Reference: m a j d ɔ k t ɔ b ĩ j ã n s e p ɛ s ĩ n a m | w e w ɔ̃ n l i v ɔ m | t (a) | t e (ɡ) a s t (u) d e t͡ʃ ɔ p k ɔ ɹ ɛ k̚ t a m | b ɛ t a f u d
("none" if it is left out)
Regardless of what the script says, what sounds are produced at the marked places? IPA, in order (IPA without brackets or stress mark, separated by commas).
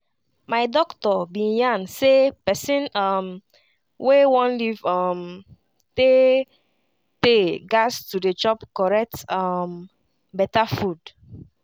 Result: e, ɡ, u